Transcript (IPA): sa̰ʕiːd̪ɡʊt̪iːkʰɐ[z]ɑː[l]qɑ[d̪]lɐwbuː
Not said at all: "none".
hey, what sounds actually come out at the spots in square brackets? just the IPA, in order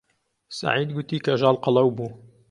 ʒ, l, none

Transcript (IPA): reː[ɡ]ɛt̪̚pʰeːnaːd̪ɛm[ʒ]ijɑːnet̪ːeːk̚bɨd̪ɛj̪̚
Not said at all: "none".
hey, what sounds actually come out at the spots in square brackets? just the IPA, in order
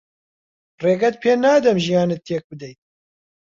ɡ, ʒ

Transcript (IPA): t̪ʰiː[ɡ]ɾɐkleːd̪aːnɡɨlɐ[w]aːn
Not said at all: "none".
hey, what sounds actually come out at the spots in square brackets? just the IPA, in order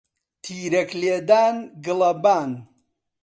none, b

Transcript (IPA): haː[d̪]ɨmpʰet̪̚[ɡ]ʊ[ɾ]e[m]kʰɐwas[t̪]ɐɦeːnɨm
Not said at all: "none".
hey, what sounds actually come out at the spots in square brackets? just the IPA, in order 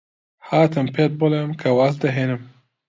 t̪, b, l, m, d̪

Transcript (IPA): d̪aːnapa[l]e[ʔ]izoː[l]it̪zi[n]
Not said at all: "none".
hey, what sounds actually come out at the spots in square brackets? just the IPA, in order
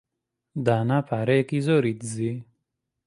ɾ, k, ɾ, none

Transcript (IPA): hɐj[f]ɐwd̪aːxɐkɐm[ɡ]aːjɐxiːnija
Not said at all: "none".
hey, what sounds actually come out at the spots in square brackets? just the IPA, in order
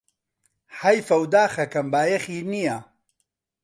f, b

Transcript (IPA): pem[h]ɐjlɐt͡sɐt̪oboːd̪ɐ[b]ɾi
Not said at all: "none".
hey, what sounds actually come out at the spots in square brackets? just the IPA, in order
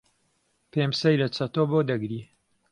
s, ɡ

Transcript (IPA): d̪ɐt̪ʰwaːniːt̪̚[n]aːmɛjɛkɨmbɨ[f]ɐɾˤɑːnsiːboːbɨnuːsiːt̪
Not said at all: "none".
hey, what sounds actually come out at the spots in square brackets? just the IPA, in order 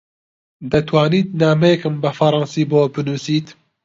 n, f

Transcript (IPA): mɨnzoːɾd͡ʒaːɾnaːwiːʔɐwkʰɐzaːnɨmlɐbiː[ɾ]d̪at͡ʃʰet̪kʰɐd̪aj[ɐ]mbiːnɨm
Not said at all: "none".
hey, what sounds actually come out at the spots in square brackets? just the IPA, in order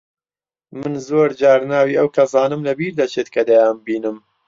ɾ, a

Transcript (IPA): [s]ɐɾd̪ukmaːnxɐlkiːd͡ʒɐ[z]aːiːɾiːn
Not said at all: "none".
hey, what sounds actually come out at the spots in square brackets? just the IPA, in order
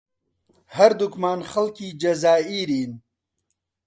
h, z

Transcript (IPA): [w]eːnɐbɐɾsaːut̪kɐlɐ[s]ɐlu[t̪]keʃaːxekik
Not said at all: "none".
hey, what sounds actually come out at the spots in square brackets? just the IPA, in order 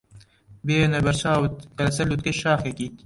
b, s, t̪

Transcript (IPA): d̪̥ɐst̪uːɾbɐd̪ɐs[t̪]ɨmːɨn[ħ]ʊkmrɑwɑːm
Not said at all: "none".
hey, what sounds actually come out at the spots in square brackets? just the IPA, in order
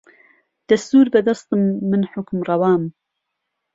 t̪, ħ

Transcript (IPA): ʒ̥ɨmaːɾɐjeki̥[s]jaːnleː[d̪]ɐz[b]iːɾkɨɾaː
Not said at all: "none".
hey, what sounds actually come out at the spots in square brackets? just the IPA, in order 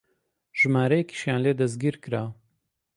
ʃ, d̪, ɡ

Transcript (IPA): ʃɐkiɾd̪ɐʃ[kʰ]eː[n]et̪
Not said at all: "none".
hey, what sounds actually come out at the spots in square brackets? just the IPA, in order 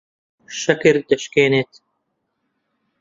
k, n

